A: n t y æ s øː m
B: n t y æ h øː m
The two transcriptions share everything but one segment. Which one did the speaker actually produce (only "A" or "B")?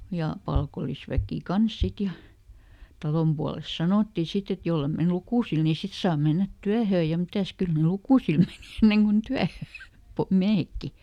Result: B